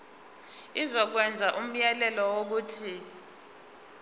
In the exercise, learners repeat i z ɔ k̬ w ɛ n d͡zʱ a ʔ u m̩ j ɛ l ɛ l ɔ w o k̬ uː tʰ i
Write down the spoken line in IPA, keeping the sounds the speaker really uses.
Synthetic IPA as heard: i z ɔ k̬ w ɛ n d͡zʱ a ʔ u m̩ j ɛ l ɛ l ɔ w o k̬ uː tʰ i